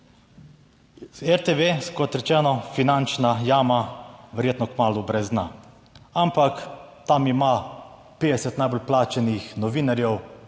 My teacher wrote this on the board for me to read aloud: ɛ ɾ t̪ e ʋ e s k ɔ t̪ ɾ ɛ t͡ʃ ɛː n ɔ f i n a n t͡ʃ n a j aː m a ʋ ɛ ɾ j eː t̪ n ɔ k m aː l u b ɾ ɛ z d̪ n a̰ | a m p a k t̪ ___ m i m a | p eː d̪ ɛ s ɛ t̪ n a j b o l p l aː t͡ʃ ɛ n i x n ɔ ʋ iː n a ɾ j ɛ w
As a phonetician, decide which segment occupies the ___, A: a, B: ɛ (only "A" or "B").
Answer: A